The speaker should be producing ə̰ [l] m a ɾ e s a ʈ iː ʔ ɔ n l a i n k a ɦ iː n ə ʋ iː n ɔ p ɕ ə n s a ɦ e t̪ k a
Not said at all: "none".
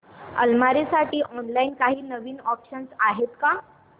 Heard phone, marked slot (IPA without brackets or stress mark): l